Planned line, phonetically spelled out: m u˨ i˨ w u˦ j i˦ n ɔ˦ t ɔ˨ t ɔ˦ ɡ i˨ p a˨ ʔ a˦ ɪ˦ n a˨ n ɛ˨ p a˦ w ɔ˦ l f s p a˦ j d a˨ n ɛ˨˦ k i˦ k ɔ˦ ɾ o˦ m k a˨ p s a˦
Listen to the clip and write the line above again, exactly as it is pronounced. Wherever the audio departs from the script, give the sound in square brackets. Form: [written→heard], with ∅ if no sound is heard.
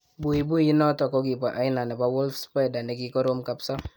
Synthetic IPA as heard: [m→b] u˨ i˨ [w→b] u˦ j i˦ n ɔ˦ t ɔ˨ [t→k] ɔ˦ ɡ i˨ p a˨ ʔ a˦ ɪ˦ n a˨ n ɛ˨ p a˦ w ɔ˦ l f s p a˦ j d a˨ n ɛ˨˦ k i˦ k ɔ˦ ɾ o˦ m k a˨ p s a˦